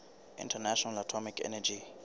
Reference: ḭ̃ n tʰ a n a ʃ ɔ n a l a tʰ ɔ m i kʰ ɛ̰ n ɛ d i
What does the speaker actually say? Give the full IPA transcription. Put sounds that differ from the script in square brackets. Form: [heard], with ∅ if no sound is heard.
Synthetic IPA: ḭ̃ n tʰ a n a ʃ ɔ n a l a tʰ ɔ m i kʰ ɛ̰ n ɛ [d͡ʒ] i